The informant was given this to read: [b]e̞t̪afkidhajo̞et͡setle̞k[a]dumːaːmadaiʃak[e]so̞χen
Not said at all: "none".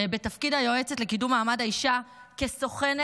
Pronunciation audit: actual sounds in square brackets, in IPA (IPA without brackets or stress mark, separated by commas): b, i, e